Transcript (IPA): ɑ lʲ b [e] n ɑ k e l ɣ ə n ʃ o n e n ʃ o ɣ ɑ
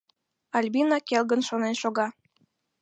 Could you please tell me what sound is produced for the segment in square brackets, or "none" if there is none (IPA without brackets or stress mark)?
i